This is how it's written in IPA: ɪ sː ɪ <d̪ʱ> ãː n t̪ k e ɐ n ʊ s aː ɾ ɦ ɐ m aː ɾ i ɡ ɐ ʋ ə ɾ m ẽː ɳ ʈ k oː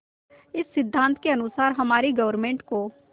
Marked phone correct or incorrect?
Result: incorrect